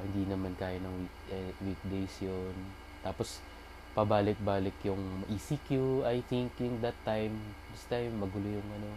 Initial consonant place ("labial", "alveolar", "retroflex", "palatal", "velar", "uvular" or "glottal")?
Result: glottal